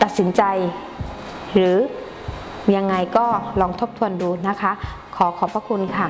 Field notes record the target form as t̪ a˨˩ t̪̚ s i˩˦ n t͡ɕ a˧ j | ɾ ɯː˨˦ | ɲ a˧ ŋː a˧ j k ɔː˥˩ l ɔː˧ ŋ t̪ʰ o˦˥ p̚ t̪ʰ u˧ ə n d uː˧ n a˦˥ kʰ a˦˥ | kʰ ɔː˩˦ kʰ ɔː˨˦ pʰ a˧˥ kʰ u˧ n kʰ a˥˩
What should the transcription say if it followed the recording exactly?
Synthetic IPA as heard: t̪ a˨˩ t̪̚ s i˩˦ n t͡ɕ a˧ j | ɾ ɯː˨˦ | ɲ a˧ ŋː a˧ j k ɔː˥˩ l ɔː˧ ŋ t̪ʰ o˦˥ p̚ t̪ʰ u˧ ə n d uː˧ n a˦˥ kʰ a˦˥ | kʰ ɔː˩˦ kʰ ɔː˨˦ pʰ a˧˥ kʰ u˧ n kʰ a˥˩